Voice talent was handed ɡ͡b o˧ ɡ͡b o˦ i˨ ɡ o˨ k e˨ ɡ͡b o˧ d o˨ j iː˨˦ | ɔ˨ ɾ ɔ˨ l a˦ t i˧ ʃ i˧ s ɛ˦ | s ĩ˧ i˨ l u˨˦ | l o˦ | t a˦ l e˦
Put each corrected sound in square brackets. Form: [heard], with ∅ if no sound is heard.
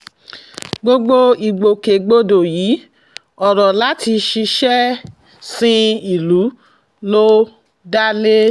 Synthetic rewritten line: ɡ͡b o˧ ɡ͡b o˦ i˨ [ɡ͡b] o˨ k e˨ ɡ͡b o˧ d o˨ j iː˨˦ | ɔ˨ ɾ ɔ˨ l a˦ t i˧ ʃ i˧ [ʃ] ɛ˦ | s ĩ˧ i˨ l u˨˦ | l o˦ | [d] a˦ l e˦